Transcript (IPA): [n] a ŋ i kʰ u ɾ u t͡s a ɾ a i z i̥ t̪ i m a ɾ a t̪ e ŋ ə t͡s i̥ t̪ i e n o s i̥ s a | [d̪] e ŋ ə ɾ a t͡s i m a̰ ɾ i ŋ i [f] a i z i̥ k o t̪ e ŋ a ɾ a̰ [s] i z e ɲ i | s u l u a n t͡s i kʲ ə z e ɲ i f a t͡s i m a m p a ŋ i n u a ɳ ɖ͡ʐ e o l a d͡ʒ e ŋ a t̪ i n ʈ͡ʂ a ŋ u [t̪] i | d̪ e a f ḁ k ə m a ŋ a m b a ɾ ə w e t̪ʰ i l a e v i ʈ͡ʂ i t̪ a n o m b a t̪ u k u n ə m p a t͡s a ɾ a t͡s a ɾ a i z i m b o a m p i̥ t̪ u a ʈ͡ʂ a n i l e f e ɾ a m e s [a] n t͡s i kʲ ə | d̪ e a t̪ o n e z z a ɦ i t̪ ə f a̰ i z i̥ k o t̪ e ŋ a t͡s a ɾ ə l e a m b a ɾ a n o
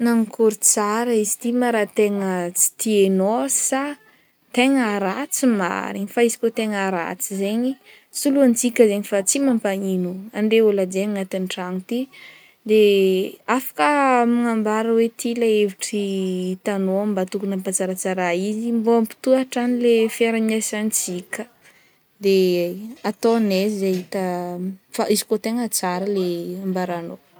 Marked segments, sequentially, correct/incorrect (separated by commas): correct, incorrect, correct, incorrect, correct, correct